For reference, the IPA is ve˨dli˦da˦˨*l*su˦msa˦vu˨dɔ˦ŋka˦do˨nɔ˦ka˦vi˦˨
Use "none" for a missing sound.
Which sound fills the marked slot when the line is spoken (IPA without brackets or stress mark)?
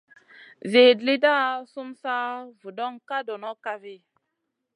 none